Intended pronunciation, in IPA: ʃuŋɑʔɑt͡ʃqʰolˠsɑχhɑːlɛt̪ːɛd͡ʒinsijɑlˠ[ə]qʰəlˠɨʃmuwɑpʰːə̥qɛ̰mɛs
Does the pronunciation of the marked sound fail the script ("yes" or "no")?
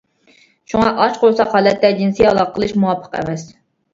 yes